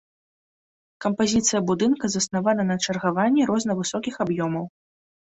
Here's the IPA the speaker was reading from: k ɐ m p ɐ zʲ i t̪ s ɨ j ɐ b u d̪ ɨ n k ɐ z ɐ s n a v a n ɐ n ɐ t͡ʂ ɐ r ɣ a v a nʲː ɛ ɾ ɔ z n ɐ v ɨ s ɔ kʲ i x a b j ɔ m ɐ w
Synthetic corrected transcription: k ɐ m p a zʲ i t̪ s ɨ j ɐ b u d̪ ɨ n k ɐ z ɐ s n a v a n ɐ n ɐ t͡ʂ ɐ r ɣ a v a nʲː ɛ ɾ ɔ z n ɐ v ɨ s ɔ kʲ i x a b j ɔ m ɐ w